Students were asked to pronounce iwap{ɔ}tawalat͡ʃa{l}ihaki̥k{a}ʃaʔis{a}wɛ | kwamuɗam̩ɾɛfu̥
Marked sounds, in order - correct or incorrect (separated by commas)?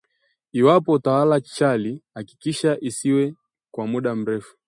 correct, correct, incorrect, incorrect